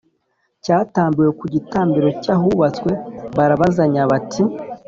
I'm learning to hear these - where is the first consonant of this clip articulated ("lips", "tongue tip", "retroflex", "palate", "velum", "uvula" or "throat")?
palate